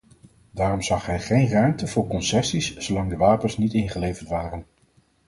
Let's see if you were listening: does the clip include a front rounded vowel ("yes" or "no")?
yes